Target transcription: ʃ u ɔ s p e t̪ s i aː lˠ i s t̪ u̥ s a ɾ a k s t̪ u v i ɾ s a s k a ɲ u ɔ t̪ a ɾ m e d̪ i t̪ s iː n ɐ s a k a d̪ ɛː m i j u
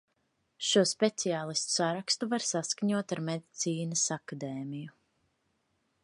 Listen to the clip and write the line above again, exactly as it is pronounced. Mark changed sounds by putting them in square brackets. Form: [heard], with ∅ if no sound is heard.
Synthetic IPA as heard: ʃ u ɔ s p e t̪ s i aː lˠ i s t̪ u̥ s a ɾ a k s t̪ u v [a] ɾ s a s k a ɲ u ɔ t̪ a ɾ m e d̪ i t̪ s iː n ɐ s a k a d̪ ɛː m i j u